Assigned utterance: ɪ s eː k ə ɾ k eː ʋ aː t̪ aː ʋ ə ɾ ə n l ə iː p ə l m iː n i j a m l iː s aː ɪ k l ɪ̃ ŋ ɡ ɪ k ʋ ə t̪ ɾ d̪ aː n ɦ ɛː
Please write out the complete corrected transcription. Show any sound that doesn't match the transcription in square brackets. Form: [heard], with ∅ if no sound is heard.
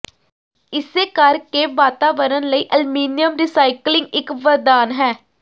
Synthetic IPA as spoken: ɪ s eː k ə ɾ k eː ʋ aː t̪ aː ʋ ə ɾ ə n l ə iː [ʔ] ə l m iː n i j [ə] m [ɾ] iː s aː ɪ k l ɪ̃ ŋ ɡ ɪ k ʋ ə [∅] ɾ d̪ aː n ɦ ɛː